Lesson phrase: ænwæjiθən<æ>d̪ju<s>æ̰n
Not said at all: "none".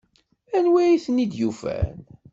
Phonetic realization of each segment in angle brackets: i, f

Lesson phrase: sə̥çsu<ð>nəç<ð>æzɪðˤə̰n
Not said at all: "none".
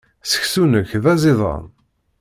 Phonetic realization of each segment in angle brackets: none, ð

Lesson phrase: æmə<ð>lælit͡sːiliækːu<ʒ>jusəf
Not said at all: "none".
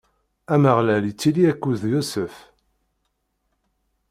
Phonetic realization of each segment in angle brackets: ʁ, ð

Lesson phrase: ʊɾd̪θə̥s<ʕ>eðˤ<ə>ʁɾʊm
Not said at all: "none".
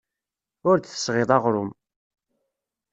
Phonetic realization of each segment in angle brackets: ʁ, ɑ

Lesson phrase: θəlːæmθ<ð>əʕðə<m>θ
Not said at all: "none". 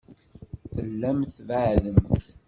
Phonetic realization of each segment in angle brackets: v, m

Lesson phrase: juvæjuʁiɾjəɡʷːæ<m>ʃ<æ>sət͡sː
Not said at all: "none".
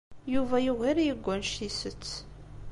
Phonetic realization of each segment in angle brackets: n, i

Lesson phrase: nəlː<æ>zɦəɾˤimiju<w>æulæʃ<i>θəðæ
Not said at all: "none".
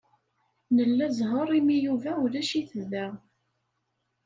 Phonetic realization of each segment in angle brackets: æ, v, i

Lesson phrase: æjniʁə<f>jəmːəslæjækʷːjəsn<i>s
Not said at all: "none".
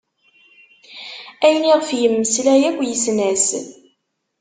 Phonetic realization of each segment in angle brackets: f, æ

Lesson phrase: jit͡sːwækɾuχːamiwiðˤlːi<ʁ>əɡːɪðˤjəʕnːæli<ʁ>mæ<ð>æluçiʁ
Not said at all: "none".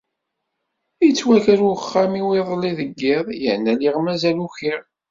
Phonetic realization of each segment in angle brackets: ð, ʁ, z

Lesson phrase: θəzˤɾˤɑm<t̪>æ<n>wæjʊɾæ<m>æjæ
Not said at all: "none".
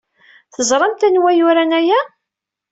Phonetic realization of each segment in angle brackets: t̪, n, n

